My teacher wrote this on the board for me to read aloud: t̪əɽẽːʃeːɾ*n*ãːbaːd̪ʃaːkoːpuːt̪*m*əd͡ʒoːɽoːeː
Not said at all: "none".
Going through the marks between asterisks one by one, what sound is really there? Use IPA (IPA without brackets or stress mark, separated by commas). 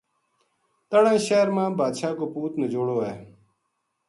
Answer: m, n